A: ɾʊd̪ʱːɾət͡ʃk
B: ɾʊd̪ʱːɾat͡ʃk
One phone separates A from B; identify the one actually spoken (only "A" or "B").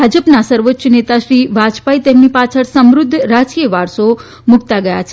B